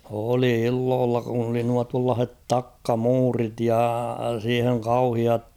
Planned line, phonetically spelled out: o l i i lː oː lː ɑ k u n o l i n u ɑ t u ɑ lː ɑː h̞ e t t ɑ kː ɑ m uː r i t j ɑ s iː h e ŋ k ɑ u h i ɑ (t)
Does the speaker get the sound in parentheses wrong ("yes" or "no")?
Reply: no